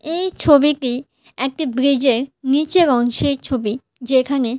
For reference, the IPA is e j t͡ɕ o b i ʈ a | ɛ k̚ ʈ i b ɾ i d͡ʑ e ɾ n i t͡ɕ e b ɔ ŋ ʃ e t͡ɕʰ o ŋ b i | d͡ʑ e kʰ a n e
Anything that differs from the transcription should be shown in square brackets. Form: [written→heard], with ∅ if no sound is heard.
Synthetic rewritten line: e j [t͡ɕ→t͡ɕʰ] o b i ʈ [a→i] | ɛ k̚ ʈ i b ɾ i d͡ʑ e ɾ n i t͡ɕ e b ɔ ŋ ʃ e t͡ɕʰ o [ŋ→∅] b i | d͡ʑ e kʰ a n e